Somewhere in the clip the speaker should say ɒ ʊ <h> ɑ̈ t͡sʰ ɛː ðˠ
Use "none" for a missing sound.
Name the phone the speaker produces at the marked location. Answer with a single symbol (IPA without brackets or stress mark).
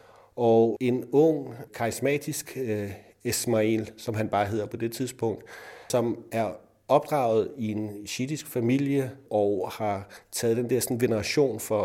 h